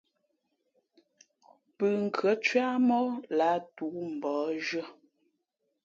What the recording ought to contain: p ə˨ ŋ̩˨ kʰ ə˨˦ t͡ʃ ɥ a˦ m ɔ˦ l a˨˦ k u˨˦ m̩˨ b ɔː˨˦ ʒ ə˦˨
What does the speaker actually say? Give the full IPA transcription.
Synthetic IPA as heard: p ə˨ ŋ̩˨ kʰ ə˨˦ t͡ʃ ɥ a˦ m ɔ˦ l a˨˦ t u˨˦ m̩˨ b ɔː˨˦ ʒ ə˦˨